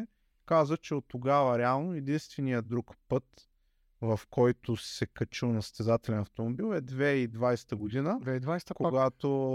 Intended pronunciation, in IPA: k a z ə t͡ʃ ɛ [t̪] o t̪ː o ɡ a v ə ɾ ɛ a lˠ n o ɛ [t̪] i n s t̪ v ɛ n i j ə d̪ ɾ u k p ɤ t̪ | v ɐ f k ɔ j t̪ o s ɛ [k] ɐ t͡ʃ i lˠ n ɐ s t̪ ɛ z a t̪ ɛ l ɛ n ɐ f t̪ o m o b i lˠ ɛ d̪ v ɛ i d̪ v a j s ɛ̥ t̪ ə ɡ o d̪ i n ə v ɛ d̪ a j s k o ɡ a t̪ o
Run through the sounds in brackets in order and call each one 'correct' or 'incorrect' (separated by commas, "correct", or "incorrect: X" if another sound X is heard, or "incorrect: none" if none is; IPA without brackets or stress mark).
incorrect: none, incorrect: d̪, correct